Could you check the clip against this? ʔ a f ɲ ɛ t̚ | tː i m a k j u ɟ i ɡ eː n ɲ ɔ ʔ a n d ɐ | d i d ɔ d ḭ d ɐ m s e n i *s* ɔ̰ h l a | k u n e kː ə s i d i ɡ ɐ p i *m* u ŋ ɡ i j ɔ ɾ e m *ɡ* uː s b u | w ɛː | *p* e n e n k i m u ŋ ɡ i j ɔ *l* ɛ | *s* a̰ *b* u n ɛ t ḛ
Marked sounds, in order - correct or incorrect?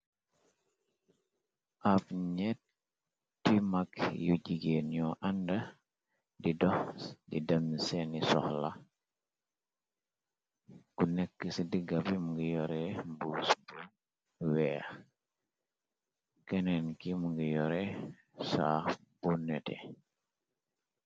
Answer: correct, correct, incorrect, incorrect, incorrect, correct, correct

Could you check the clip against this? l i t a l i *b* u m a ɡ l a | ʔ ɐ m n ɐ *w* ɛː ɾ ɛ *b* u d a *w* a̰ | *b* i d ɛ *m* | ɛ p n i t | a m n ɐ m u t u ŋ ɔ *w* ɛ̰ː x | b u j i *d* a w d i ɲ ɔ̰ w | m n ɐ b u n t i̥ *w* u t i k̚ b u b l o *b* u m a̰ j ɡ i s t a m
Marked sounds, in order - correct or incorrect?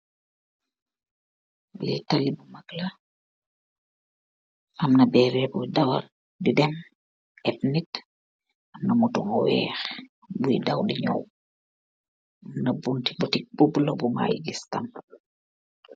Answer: correct, incorrect, correct, correct, incorrect, correct, correct, correct, incorrect, correct

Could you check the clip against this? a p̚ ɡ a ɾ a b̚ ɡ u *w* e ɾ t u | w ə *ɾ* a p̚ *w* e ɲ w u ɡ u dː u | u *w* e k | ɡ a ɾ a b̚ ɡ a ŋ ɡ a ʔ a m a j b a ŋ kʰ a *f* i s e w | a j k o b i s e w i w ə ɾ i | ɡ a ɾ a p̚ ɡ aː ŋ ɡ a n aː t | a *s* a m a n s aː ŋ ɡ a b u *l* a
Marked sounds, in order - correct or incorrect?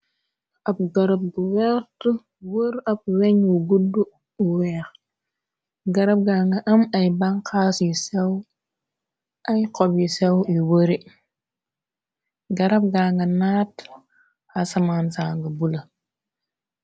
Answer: correct, correct, correct, correct, incorrect, correct, correct

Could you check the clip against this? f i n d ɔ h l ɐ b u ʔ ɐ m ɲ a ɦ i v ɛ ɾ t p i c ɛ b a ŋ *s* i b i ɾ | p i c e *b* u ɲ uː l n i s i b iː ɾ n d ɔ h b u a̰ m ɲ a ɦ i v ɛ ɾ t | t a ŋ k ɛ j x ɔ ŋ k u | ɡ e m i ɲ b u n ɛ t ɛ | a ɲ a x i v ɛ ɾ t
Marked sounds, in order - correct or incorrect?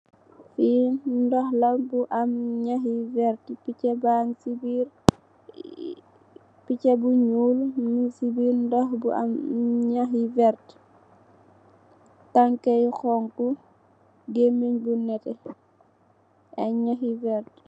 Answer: correct, correct

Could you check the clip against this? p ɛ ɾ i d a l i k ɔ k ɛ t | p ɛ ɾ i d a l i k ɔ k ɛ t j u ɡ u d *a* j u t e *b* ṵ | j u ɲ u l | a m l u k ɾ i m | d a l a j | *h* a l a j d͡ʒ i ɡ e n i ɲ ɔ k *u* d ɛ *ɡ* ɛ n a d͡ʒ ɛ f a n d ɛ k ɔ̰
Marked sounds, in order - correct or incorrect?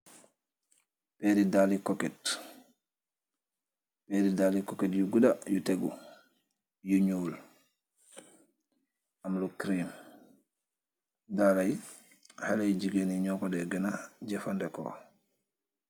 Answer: correct, incorrect, correct, incorrect, correct

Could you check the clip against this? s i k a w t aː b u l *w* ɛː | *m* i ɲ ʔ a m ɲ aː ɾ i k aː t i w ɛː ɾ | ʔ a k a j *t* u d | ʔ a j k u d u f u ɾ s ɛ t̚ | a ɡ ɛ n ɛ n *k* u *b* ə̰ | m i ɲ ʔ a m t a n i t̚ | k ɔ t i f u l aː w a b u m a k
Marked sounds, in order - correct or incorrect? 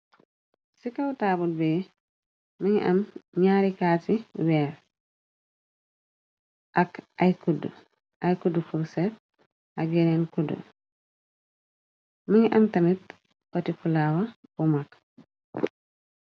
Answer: incorrect, correct, incorrect, correct, incorrect

